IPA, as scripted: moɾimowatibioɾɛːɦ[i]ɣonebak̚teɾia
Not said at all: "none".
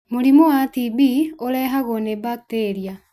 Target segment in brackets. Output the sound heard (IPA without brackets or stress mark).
a